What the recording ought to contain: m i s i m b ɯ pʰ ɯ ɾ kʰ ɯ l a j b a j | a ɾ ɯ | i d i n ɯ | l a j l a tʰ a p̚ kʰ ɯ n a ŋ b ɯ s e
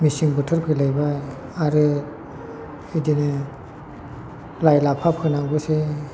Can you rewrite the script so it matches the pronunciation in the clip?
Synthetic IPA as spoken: m i s i ŋ b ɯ tʰ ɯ ɾ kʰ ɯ l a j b a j | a ɾ ɯ | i d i n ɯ | l a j l a pʰ a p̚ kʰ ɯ n a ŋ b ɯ s e